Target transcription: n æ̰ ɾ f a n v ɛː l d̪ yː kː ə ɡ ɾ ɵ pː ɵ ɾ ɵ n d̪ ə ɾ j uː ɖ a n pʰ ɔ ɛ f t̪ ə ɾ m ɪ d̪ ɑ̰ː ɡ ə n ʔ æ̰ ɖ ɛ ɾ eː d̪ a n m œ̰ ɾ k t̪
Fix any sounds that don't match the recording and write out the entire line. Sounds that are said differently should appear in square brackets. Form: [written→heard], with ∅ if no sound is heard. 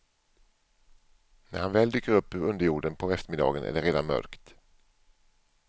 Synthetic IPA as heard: n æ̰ ɾ [f→h] a n v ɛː l d̪ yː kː ə [ɡ→∅] ɾ ɵ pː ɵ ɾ ɵ n d̪ ə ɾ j uː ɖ [a→ə] n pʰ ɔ ɛ f t̪ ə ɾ m ɪ d̪ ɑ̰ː ɡ ə n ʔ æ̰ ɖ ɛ ɾ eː d̪ a n m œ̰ ɾ k t̪